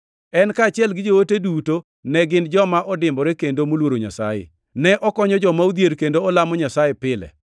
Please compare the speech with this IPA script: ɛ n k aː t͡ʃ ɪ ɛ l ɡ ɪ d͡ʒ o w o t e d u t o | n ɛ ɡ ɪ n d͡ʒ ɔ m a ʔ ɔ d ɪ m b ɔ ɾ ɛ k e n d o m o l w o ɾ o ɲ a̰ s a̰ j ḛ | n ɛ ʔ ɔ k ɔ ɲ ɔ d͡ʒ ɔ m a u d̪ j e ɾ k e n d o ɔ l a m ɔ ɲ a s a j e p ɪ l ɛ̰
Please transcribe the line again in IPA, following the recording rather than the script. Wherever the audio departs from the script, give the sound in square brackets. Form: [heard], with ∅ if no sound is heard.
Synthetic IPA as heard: ɛ n k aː t͡ʃ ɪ ɛ l ɡ ɪ d͡ʒ o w o t e d u t o | n ɛ ɡ ɪ n d͡ʒ ɔ m a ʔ ɔ d ɪ m b ɔ ɾ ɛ k e n d o m o l w o ɾ o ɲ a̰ s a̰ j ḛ | n ɛ ʔ ɔ k ɔ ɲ ɔ d͡ʒ ɔ m a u d̪ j e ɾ k e n d o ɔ l a m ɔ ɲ a s a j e p ɪ l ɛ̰